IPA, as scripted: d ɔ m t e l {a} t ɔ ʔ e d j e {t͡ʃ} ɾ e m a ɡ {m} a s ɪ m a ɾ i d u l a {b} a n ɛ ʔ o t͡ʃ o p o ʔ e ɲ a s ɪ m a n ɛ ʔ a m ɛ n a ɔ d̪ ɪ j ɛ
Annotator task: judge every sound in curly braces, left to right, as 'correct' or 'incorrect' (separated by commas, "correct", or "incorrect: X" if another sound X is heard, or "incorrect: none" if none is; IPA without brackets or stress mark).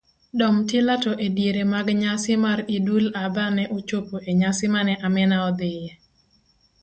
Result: correct, incorrect: none, incorrect: ɲ, correct